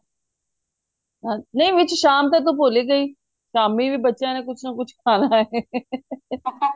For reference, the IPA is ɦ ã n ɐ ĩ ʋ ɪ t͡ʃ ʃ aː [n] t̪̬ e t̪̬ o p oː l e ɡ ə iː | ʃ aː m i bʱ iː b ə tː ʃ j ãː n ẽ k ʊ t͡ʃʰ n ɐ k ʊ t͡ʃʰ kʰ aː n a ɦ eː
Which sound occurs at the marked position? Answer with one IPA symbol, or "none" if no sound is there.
m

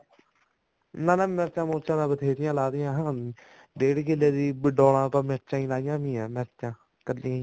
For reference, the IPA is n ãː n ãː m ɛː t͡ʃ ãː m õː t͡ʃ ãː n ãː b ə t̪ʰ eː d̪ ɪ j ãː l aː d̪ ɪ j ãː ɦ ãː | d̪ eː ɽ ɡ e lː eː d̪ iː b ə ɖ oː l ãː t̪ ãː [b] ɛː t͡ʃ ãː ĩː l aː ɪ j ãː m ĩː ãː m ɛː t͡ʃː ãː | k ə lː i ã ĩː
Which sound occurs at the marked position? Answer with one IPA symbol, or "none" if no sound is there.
m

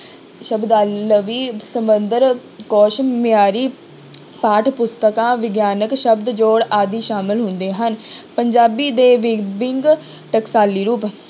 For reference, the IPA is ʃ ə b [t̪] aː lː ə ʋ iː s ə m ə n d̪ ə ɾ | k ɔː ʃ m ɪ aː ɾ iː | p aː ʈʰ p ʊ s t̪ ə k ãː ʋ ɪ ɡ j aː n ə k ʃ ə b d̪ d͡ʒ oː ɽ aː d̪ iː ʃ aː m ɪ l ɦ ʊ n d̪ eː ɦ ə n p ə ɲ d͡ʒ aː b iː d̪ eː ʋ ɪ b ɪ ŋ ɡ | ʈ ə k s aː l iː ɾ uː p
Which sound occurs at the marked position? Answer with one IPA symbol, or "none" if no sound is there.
d̪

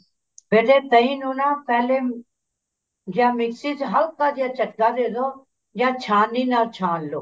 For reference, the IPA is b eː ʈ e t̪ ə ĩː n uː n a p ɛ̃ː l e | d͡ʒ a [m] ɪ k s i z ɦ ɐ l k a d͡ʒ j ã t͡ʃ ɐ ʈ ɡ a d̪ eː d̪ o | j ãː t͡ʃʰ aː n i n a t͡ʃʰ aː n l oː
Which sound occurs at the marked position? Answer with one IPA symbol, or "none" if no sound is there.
m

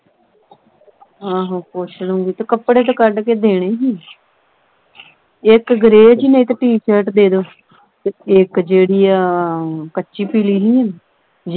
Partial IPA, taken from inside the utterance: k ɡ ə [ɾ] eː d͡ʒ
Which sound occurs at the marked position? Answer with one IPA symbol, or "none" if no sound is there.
ɾ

